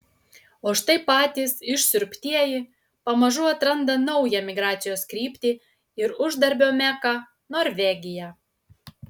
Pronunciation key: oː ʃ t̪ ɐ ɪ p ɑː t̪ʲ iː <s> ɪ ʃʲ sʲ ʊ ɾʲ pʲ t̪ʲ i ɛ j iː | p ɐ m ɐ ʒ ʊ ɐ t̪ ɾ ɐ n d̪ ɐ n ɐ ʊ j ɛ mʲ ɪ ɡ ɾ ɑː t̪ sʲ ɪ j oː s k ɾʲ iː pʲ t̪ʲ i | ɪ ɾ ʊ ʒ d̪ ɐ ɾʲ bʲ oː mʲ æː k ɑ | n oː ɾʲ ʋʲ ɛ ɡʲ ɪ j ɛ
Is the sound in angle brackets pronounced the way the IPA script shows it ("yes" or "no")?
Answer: yes